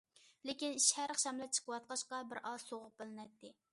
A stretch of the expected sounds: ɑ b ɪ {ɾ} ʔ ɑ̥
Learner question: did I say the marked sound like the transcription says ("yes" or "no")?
yes